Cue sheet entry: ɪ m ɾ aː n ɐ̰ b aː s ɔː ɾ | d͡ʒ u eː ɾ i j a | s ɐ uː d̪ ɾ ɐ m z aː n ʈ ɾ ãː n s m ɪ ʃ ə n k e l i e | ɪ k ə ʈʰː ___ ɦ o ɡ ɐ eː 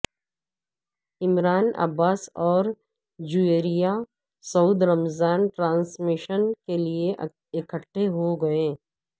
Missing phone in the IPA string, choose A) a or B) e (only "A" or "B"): B